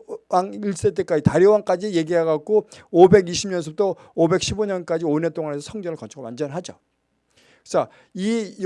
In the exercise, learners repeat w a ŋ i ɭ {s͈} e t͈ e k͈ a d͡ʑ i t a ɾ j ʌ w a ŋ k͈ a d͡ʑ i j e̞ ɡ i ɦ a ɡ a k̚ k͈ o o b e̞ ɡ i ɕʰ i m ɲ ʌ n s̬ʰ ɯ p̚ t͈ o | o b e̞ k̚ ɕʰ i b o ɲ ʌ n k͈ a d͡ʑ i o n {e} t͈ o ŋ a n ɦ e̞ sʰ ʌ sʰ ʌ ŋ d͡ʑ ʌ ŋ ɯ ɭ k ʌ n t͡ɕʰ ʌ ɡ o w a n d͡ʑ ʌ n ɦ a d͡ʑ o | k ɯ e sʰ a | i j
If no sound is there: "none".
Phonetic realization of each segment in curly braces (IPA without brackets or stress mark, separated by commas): s͈, e